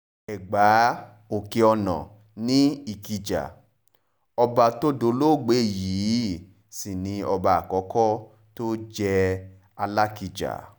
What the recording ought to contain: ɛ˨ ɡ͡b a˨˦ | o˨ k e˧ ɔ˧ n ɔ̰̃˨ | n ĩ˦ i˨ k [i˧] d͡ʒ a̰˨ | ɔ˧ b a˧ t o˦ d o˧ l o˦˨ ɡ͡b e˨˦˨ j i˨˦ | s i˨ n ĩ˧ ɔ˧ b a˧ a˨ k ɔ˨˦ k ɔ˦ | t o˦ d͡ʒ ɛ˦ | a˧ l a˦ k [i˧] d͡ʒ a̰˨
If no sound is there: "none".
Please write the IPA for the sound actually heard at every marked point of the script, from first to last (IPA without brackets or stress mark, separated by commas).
i˧, i˧